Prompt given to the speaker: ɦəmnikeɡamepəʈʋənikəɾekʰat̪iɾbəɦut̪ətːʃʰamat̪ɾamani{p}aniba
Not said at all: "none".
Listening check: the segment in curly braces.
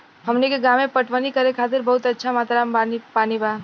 p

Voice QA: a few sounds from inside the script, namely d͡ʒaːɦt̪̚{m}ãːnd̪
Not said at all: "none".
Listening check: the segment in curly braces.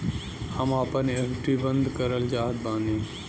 b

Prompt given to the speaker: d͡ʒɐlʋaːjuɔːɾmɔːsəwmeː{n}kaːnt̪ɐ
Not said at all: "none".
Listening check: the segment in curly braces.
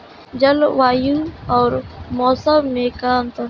none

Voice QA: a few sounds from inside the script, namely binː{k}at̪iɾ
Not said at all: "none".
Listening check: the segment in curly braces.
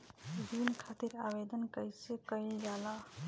kʰ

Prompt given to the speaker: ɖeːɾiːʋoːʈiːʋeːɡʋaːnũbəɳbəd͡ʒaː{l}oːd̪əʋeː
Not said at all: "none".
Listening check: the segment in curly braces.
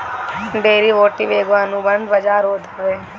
ɾ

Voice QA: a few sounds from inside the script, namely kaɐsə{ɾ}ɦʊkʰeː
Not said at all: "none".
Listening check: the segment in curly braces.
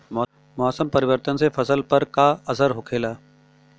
ɾ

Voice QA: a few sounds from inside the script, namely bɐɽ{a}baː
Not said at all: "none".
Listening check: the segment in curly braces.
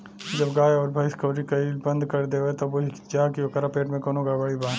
i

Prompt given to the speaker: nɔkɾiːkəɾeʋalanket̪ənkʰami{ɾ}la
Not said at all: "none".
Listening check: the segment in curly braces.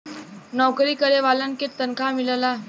l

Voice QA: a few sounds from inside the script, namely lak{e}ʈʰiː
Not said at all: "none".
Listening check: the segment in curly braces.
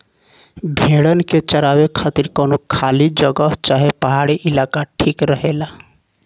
a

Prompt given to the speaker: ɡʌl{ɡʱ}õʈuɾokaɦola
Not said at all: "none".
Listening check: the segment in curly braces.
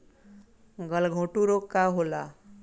ɡʱ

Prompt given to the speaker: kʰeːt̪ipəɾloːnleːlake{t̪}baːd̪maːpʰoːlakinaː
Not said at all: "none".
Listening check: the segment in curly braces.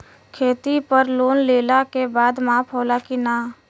none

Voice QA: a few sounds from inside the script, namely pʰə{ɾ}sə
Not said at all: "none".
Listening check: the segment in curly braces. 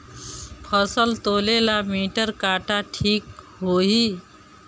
none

